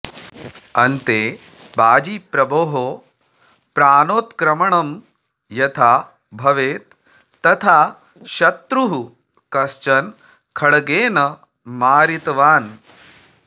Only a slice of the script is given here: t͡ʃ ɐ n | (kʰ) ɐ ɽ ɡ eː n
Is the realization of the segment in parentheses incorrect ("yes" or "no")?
no